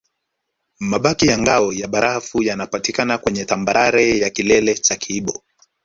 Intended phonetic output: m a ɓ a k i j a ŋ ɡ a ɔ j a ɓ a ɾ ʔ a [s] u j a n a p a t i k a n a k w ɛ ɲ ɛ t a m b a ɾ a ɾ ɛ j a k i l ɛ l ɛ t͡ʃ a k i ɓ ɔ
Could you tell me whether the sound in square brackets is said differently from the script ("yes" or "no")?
yes